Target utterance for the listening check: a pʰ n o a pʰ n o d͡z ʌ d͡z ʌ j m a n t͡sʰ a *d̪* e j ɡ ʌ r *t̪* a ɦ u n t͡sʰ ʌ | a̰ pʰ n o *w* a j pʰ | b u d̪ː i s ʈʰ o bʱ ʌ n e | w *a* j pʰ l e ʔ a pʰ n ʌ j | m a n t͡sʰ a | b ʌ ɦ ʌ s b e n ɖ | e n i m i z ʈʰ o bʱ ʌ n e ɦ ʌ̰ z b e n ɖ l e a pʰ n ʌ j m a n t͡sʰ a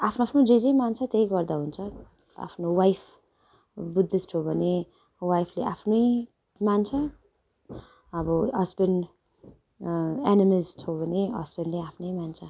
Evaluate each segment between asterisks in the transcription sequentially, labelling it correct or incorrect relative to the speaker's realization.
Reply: incorrect: t̪, incorrect: d̪, correct, correct

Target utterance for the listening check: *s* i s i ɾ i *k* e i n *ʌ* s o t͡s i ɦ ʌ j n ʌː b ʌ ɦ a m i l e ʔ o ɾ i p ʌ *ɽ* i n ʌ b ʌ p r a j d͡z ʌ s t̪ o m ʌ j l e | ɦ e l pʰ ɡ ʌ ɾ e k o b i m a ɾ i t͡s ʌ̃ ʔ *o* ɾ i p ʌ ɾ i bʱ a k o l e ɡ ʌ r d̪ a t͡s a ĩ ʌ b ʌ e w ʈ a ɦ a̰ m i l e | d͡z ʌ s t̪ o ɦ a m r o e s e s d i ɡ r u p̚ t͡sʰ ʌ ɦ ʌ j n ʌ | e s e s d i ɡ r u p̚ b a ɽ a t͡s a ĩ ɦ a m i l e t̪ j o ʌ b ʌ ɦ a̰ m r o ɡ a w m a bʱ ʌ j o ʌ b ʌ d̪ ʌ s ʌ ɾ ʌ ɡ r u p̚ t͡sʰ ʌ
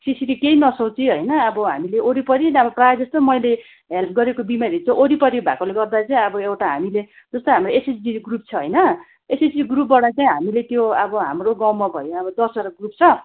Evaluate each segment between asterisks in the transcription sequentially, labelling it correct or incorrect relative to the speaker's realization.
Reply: correct, correct, correct, incorrect: ɾ, correct

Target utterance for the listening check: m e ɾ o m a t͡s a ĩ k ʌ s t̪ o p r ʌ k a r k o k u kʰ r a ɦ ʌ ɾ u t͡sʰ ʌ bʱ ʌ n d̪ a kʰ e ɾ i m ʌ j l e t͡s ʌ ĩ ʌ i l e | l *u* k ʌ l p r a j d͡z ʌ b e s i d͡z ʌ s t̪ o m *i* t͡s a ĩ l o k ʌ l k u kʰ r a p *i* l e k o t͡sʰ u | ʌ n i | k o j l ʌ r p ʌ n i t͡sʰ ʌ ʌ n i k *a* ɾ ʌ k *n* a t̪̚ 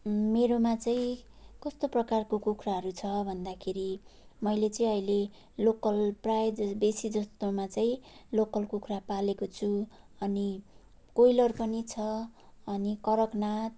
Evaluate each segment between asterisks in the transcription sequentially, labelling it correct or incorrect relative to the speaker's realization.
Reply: incorrect: o, incorrect: a, incorrect: a, incorrect: ʌ, correct

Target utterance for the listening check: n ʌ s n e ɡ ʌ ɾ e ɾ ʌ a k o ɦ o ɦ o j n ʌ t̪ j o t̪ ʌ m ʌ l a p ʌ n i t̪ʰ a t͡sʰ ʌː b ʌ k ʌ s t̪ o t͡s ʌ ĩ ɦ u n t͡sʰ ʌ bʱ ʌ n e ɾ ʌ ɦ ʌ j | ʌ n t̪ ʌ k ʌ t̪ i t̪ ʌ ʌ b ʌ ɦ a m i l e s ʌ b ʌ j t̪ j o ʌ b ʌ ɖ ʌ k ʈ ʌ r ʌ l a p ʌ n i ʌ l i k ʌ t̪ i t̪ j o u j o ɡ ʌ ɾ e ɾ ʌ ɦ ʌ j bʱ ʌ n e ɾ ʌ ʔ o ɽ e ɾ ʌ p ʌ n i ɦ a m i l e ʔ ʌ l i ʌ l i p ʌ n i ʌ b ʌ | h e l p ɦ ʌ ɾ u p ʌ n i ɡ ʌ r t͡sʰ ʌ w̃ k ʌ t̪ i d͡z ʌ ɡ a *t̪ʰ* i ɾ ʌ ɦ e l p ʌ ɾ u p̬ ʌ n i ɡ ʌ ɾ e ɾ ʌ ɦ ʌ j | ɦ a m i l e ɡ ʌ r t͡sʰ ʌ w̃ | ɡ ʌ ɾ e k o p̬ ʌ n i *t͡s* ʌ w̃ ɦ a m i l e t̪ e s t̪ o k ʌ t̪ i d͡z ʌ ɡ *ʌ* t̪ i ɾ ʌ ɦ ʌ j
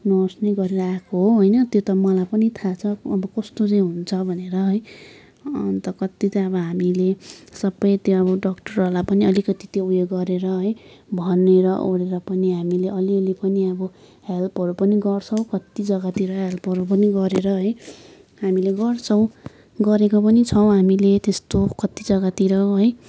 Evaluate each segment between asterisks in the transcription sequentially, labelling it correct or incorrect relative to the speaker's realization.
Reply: incorrect: t̪, incorrect: t͡sʰ, incorrect: a

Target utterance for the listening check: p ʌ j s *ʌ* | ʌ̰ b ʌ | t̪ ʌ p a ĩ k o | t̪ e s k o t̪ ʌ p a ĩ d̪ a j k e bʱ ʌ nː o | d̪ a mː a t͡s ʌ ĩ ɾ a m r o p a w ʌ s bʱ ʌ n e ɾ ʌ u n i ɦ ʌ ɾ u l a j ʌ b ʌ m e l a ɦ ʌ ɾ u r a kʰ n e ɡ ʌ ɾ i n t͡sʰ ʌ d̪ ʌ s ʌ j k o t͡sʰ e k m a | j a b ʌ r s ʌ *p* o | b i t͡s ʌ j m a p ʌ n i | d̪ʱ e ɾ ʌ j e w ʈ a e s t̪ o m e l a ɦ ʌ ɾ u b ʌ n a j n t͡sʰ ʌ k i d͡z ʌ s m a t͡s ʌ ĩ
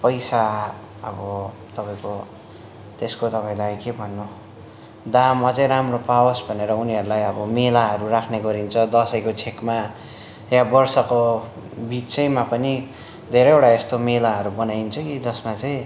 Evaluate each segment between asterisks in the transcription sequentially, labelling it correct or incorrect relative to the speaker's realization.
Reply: incorrect: a, incorrect: k

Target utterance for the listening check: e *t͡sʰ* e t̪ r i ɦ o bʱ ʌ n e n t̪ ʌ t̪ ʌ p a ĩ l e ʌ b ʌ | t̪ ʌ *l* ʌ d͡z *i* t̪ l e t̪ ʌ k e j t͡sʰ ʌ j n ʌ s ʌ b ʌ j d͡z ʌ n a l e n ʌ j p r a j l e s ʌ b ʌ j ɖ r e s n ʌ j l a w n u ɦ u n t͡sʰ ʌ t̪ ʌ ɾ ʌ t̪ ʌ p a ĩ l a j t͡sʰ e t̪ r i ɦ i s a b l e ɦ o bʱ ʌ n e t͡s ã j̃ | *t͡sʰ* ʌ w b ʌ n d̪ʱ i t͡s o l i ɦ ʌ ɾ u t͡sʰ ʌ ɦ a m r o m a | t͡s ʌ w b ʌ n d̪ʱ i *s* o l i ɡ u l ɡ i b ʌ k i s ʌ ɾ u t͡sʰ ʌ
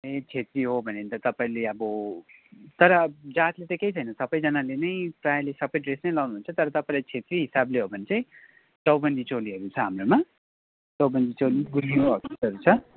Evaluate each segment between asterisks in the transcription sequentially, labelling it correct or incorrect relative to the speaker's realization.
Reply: correct, incorrect: ɾ, incorrect: a, incorrect: t͡s, incorrect: t͡s

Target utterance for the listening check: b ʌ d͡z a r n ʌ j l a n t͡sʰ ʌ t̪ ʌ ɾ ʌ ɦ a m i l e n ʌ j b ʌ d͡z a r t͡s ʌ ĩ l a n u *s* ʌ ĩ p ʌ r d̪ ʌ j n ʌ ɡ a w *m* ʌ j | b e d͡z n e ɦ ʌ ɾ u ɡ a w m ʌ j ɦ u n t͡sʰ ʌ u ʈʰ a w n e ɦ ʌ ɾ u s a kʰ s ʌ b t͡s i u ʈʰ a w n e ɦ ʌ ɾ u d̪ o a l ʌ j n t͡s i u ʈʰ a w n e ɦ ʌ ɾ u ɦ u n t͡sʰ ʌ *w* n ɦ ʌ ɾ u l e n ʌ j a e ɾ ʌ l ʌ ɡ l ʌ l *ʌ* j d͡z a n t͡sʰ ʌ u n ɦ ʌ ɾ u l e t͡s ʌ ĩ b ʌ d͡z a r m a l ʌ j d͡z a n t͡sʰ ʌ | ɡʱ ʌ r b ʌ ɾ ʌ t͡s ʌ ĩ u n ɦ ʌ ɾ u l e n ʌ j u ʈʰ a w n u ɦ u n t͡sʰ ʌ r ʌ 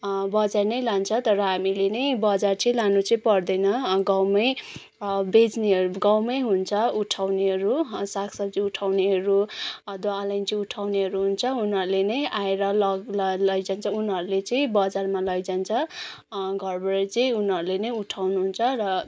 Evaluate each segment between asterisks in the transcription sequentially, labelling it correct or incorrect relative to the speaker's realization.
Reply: incorrect: t͡s, correct, incorrect: u, correct

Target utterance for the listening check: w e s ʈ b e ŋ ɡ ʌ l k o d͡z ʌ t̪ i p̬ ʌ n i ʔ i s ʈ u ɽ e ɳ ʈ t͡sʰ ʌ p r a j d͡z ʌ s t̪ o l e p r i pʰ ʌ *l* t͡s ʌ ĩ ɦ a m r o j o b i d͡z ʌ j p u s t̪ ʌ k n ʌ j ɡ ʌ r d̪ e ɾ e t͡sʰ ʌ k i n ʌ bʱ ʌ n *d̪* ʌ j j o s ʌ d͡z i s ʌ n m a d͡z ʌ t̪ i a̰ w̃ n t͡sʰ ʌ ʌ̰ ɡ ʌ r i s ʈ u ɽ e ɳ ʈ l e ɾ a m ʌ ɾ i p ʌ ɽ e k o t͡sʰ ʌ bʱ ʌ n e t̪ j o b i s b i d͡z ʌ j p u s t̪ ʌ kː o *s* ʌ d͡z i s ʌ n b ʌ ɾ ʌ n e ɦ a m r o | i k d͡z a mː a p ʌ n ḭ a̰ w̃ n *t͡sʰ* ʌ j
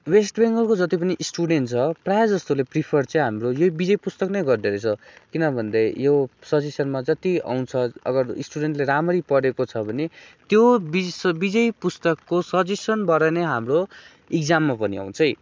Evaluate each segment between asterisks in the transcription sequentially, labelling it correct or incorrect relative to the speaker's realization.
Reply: incorrect: r, correct, correct, correct

